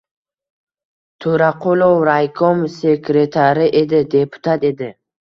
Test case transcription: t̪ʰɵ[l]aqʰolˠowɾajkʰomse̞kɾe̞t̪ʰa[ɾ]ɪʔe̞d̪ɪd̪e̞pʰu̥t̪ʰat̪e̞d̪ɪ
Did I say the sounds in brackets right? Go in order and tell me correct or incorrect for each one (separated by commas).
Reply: incorrect, correct